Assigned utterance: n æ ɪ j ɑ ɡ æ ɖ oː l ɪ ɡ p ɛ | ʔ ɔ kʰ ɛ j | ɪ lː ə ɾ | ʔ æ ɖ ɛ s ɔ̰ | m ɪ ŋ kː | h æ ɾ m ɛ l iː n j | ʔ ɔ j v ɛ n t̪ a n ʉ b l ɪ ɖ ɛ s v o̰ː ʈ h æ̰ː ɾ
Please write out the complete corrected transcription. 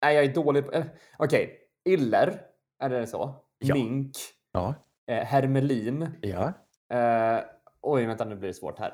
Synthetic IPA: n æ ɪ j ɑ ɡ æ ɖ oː l ɪ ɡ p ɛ | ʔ ɔ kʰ ɛ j | ɪ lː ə ɾ | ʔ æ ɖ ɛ s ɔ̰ | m ɪ ŋ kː | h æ ɾ m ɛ l iː n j | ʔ ɔ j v ɛ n t̪ a n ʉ b l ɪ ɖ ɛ s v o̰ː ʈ h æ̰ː ɾ